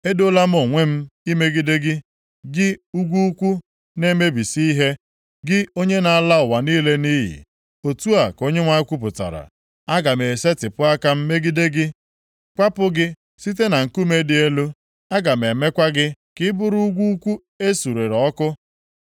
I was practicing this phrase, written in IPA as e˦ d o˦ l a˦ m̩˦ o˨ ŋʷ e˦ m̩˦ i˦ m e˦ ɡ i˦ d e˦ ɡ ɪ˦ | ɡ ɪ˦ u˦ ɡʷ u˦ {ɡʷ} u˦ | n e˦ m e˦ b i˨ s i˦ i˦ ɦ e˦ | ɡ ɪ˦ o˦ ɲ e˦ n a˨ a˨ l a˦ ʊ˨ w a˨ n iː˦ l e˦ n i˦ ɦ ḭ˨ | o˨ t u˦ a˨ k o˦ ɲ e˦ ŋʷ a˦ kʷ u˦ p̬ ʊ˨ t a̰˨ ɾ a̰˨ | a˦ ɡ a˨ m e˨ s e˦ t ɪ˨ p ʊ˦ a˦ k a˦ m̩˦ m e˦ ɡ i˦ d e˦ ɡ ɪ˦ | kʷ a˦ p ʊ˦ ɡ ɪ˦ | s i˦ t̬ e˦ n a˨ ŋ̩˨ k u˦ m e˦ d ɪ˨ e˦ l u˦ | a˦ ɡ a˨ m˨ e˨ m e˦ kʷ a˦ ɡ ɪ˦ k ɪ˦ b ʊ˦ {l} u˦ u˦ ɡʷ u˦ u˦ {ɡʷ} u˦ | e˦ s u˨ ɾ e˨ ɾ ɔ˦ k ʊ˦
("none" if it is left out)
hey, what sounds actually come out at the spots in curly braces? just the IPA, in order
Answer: kʷ, ɾ, kʷ

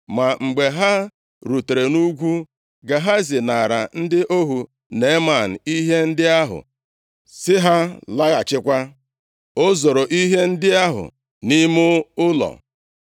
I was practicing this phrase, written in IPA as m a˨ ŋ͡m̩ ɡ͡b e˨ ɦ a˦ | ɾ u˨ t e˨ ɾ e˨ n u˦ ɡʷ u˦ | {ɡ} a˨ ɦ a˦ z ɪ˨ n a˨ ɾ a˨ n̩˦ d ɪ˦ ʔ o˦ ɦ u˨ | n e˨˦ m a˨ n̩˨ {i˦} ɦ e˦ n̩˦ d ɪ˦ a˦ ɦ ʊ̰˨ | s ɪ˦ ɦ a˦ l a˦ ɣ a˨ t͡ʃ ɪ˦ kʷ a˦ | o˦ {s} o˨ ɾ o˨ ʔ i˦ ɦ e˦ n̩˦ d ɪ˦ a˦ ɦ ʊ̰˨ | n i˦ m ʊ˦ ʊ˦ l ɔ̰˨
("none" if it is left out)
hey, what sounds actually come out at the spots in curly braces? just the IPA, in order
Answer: ɡ, i˦, z

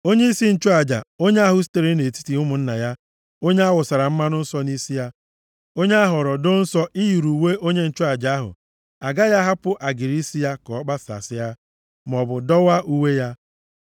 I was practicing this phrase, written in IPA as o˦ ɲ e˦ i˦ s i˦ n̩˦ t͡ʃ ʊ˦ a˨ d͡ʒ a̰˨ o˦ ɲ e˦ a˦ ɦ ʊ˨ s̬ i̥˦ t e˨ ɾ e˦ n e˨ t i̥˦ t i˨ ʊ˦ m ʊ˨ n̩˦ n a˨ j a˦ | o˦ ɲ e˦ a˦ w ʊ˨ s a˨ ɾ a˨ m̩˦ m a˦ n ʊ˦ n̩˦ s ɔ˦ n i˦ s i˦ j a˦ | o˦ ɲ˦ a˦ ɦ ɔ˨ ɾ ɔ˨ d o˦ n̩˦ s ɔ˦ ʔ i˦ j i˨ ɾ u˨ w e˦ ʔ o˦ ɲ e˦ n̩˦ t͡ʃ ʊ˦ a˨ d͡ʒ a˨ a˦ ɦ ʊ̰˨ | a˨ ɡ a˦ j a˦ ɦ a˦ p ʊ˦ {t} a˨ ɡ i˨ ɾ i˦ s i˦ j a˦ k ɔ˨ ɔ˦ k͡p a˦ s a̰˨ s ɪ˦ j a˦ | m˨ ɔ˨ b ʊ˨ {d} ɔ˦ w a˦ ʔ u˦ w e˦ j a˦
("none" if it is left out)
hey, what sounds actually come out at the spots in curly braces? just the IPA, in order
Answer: ʔ, d

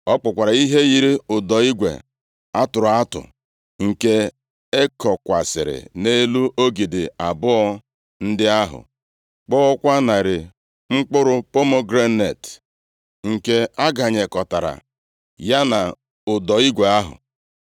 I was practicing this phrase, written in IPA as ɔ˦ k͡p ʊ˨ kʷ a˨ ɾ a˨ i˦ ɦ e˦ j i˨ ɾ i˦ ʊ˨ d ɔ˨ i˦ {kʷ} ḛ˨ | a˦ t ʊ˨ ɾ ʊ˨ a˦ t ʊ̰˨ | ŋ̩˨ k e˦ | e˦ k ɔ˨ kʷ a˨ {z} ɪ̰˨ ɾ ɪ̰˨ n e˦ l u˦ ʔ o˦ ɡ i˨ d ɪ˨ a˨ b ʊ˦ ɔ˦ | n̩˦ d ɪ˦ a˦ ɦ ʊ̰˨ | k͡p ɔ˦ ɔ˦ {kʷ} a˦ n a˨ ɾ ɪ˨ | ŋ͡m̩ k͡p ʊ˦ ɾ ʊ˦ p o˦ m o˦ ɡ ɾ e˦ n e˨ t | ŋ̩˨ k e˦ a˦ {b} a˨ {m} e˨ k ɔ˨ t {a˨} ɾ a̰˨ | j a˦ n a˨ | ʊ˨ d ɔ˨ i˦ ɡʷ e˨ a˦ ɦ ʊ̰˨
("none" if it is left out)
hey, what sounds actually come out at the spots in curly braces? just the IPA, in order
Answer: ɡʷ, s, kʷ, ɡ, ɲ, a˨

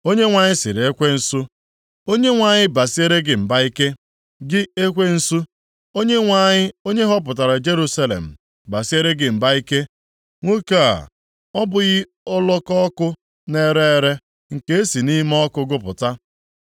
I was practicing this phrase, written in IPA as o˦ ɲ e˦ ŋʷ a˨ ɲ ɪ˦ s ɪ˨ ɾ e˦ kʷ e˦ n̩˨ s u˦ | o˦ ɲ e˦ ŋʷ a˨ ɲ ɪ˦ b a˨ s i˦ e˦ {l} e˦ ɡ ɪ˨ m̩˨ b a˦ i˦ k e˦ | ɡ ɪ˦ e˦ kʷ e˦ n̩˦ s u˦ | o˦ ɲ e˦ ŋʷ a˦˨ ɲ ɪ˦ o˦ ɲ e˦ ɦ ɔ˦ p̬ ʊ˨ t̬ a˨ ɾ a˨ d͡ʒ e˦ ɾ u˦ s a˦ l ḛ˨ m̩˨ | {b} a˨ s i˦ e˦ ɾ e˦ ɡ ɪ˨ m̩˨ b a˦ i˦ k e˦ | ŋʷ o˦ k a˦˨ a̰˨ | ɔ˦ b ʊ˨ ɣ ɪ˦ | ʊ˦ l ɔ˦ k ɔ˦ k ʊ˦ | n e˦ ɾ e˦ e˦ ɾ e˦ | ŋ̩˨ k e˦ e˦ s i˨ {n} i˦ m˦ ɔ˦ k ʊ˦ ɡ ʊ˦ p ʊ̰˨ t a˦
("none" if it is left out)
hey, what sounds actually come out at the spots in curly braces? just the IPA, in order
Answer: ɾ, b, n

